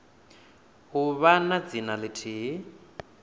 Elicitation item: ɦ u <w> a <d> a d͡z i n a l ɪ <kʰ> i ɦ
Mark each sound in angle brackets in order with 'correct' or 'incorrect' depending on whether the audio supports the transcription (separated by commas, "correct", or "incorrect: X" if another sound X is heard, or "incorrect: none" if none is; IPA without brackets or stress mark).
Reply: incorrect: β, incorrect: n, incorrect: tʰ